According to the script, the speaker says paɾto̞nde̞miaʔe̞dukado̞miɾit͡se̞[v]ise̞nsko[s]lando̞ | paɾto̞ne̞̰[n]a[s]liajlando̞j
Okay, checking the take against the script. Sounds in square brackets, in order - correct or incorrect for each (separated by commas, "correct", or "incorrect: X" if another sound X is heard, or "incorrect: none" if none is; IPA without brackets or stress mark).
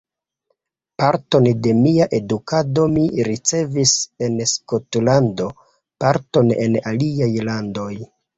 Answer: correct, incorrect: t, correct, incorrect: none